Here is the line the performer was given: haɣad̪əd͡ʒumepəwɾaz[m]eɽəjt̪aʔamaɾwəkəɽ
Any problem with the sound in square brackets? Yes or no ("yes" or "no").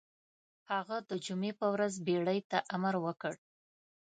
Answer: yes